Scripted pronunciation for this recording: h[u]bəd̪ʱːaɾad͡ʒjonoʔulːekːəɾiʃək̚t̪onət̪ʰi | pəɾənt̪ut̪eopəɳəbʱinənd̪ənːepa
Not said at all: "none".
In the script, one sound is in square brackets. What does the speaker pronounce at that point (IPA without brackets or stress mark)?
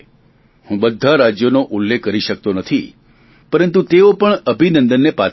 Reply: ũ